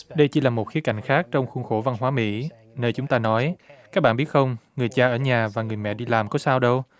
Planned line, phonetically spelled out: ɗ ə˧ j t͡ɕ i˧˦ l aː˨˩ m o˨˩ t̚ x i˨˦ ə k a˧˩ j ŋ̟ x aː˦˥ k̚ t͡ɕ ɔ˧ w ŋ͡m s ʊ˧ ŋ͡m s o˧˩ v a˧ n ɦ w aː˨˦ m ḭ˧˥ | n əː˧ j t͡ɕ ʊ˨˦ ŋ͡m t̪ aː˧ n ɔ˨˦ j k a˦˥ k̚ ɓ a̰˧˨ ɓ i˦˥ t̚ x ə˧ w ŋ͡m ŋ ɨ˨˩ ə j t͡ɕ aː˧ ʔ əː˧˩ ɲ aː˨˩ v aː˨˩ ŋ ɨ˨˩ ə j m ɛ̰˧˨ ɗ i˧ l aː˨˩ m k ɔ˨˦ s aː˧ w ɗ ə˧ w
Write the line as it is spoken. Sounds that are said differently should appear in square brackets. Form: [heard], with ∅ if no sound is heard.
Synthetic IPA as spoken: ɗ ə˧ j t͡ɕ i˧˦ l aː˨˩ m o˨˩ t̚ x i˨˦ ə k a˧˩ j ŋ̟ x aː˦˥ k̚ t͡ɕ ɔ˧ w ŋ͡m [x] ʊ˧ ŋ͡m [x] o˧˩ v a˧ n ɦ w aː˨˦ m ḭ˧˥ | n əː˧ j t͡ɕ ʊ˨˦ ŋ͡m t̪ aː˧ n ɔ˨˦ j k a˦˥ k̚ ɓ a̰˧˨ ɓ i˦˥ t̚ x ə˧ w ŋ͡m ŋ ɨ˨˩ ə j t͡ɕ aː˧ ʔ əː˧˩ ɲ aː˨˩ v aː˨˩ ŋ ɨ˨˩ ə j m ɛ̰˧˨ ɗ i˧ l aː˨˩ m k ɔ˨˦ s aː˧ w ɗ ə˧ w